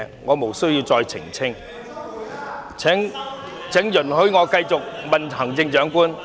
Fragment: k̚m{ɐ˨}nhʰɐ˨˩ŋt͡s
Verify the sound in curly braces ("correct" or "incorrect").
correct